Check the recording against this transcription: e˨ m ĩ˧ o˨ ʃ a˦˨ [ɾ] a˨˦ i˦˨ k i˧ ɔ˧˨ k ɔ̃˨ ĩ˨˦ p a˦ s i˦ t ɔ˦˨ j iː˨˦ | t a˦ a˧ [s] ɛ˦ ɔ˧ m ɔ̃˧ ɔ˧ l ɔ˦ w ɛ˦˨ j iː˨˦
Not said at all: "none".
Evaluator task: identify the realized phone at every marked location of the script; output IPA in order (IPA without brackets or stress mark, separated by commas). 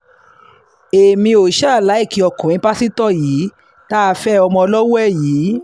l, f